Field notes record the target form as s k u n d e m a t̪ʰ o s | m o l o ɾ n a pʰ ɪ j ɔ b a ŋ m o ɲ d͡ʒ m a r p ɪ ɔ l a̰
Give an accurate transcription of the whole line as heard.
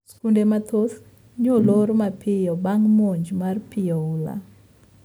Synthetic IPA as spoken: s k u n d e m a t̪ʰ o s | ɲ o l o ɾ m a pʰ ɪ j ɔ b a ŋ m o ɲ d͡ʒ m a r p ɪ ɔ l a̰

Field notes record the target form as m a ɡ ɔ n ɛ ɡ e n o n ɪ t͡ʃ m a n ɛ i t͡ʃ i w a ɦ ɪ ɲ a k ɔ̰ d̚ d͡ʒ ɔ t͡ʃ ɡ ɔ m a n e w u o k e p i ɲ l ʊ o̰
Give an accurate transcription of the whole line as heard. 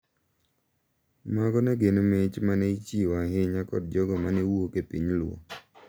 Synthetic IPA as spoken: m a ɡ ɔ n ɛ ɡ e n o m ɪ t͡ʃ m a n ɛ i t͡ʃ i w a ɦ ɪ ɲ a k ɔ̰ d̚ d͡ʒ ɔ ɡ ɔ m a n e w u o k e p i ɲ l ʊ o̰

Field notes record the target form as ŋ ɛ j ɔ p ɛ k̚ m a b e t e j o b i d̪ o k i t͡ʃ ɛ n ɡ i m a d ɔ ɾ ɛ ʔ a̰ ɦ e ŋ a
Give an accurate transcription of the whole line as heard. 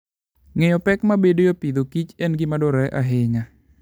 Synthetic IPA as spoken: ŋ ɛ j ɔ p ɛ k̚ m a b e d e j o p i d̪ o k i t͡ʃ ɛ n ɡ i m a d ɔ ɾ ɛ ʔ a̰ ɦ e ŋ a

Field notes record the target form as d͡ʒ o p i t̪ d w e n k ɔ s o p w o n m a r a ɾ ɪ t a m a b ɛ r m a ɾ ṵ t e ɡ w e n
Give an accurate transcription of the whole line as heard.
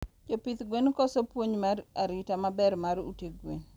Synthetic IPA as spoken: d͡ʒ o p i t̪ ɡ w e n k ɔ s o p w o ɲ m a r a ɾ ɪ t a m a b ɛ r m a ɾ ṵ t e ɡ w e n

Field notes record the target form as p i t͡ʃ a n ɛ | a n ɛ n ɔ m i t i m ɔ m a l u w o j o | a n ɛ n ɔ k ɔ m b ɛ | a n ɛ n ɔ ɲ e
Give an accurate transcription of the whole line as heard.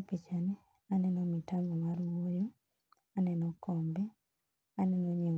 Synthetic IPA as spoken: p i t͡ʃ a n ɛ | a n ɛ n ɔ m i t a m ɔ m a ɾ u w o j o | a n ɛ n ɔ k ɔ m b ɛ | a n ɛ n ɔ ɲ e

